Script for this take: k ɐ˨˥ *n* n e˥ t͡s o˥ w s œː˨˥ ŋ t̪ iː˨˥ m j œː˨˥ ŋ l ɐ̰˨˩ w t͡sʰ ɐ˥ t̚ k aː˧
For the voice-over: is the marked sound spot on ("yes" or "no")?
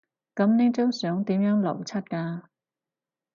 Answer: no